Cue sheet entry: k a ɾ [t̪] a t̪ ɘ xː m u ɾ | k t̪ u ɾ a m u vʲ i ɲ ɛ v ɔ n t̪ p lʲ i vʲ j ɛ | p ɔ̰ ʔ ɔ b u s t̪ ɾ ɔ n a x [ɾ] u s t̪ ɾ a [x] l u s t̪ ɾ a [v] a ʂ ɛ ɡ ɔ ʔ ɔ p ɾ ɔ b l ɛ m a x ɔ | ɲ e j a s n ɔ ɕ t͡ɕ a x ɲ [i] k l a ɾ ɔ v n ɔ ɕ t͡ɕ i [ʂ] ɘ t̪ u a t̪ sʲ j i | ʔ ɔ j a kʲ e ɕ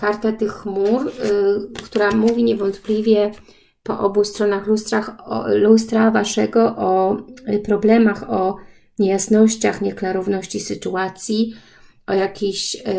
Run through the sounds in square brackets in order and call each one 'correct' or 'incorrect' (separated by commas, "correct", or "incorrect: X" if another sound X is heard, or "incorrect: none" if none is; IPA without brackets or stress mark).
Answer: correct, incorrect: l, correct, correct, incorrect: ɛ, incorrect: s